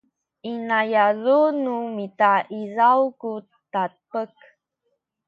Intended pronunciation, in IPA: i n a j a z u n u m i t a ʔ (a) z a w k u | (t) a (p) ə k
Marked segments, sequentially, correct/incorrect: incorrect: i, correct, correct

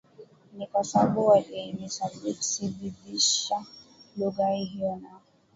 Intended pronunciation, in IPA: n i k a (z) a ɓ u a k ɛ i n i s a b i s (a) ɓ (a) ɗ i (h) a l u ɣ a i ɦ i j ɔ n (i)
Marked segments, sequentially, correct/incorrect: incorrect: s, incorrect: i, incorrect: i, incorrect: ʃ, incorrect: a

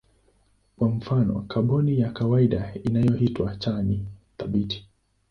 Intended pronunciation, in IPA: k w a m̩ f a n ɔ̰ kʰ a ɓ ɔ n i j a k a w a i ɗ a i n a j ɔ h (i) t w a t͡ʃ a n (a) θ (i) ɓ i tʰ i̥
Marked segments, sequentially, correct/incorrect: correct, incorrect: i, incorrect: a

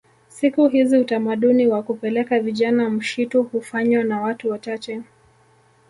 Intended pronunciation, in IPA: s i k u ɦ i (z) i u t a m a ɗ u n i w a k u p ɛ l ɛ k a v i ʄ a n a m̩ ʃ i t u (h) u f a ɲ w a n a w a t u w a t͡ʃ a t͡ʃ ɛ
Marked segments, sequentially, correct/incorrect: correct, correct

